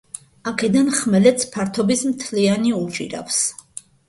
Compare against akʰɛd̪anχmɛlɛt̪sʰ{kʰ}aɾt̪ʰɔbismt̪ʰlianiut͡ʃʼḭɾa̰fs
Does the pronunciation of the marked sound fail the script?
yes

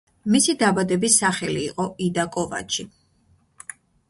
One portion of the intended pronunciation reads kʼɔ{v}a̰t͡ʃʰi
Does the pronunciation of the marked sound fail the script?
no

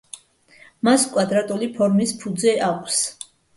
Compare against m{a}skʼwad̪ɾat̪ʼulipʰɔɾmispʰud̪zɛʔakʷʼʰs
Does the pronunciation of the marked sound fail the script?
no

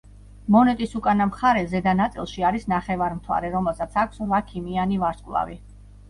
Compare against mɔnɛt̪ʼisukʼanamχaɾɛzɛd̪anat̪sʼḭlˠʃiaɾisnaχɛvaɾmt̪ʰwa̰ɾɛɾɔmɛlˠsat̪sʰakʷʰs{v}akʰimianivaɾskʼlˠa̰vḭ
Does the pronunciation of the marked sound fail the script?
no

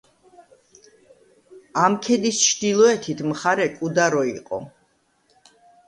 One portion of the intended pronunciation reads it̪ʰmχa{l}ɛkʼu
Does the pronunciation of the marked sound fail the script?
yes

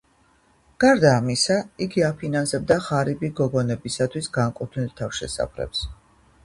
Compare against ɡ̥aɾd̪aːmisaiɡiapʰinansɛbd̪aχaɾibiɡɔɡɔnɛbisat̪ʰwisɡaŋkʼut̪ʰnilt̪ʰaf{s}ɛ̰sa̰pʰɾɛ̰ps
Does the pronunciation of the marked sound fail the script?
yes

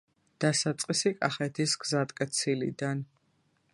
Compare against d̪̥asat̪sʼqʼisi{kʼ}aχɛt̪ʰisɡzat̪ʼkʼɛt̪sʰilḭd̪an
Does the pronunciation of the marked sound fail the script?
no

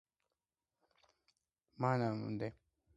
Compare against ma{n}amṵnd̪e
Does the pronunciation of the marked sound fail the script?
no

